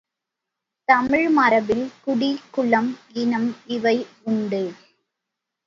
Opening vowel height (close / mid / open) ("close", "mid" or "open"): open